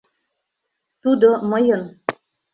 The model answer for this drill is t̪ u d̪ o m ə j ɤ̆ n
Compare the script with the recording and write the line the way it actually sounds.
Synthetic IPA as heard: t̪ u d̪ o m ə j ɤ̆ n